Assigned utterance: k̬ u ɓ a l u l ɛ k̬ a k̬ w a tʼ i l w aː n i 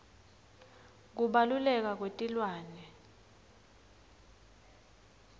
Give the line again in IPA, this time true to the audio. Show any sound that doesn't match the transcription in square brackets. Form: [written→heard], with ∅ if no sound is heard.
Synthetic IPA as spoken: k̬ u ɓ a l u l ɛ k̬ a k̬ w [a→e] tʼ i l w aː n [i→ɛ]

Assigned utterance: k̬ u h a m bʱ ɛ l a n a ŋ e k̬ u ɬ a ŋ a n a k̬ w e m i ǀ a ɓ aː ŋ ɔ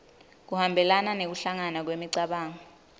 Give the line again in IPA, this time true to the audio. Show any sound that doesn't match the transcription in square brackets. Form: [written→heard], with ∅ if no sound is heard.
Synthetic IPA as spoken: k̬ u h a m bʱ ɛ l a n a [ŋ→n] e k̬ u ɬ a ŋ a n a k̬ w e m i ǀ a ɓ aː ŋ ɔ

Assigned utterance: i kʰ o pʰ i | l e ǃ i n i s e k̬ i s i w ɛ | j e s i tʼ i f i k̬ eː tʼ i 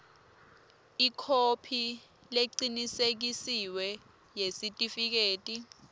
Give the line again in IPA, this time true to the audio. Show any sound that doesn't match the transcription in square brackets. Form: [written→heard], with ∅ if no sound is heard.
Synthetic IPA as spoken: i kʰ o pʰ i | l e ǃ i n i s e k̬ i s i w ɛ | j e s i tʼ i f i k̬ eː tʼ i

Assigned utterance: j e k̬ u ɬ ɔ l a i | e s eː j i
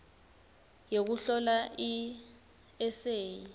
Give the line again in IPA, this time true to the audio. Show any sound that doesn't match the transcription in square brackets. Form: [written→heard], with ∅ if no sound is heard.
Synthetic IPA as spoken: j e k̬ u ɬ ɔ l a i | [e→ɛ] s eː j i

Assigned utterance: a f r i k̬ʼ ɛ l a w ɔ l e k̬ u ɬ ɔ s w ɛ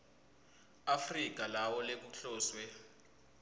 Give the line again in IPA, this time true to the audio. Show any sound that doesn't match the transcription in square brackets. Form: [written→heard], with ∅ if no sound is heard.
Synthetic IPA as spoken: a f r i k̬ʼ [ɛ→a] l a w ɔ l e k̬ u ɬ [ɔ→ɔː] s w ɛ

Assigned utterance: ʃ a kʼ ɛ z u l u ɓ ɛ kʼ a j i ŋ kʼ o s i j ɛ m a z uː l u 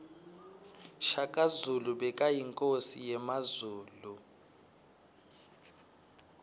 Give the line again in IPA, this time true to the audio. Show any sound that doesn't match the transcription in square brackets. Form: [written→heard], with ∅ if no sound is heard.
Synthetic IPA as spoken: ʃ a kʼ [ɛ→a] z u l u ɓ ɛ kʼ a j i ŋ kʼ o s i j ɛ m a z uː l u

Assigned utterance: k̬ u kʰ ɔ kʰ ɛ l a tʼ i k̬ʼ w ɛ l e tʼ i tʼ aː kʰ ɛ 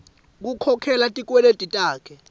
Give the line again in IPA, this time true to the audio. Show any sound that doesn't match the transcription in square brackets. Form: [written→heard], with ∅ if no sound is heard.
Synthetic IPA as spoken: k̬ u kʰ ɔ kʰ ɛ l a tʼ i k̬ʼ w ɛ l e tʼ i tʼ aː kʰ ɛ

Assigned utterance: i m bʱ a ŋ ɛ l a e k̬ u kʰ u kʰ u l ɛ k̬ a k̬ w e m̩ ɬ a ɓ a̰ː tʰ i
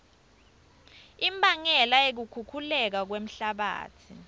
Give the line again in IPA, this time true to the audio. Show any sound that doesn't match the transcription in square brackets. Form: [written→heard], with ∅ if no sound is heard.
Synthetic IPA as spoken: i m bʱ a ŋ ɛ l a e k̬ u kʰ u kʰ u l ɛ k̬ a k̬ w e m̩ ɬ a ɓ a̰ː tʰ i

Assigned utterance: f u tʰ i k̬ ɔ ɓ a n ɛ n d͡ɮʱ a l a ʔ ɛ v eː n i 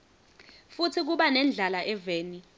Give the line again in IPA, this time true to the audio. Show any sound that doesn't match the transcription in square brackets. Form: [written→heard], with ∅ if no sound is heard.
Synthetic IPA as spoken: f u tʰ i k̬ [ɔ→u] ɓ a n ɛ n d͡ɮʱ a l a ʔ ɛ v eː n i

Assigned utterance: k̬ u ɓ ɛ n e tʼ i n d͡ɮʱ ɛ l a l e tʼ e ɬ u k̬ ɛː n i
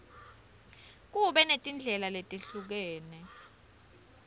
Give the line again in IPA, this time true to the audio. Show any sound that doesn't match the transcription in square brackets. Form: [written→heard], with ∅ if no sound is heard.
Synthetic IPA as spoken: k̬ u ɓ ɛ n e tʼ i n d͡ɮʱ ɛ l a l e tʼ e ɬ u k̬ ɛː n [i→ɛ]

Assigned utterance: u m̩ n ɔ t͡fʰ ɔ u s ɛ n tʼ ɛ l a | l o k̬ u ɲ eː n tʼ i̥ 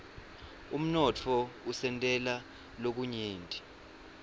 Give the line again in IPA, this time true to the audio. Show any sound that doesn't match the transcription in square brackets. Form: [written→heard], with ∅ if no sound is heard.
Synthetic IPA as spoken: u m̩ n ɔ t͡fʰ ɔ u s ɛ n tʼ ɛ l a | l o k̬ u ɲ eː n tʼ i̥

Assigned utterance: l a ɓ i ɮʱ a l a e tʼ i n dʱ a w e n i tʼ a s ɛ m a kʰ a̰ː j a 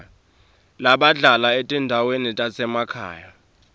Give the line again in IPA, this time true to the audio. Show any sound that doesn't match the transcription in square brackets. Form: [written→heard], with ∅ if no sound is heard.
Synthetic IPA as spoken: l a ɓ [i→a] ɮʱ a l a e tʼ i n dʱ a w e n i tʼ a s ɛ m a kʰ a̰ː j a

